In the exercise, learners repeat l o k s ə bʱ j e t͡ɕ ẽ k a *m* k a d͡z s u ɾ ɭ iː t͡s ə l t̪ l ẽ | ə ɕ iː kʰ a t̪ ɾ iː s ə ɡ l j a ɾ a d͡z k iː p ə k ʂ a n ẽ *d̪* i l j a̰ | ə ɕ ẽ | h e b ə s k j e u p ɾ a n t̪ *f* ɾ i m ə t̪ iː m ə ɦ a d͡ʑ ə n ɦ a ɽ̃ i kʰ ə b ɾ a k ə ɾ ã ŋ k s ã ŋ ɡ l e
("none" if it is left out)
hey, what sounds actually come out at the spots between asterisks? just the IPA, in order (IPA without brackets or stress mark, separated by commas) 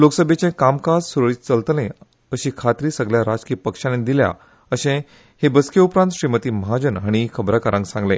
m, d̪, ɕ